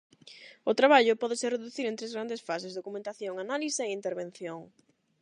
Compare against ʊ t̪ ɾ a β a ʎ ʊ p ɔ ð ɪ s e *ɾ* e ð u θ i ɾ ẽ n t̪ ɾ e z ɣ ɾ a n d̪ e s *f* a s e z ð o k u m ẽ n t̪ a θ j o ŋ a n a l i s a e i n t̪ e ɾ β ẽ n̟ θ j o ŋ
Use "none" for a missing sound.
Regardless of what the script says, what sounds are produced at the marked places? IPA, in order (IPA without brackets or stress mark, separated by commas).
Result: r, f